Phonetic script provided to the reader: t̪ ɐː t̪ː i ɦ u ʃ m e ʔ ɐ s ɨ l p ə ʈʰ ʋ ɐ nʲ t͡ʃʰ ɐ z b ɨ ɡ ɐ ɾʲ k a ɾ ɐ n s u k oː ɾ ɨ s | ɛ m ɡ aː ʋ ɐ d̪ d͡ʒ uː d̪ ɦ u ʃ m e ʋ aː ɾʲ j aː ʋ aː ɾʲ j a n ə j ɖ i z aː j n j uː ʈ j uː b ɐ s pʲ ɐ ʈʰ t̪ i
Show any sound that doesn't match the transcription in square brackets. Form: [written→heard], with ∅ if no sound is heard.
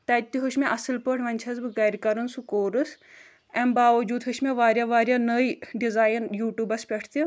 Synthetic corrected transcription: t̪ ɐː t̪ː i ɦ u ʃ m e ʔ ɐ s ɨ l p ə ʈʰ ʋ ɐ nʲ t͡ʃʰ ɐ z b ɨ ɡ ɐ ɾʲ k [a→ɐ] ɾ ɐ n s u k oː ɾ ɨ s | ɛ m [ɡ→b] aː ʋ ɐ [d̪→∅] d͡ʒ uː d̪ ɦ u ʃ m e ʋ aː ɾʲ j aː ʋ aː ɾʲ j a n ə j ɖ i z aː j n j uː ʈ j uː b ɐ s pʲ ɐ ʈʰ t̪ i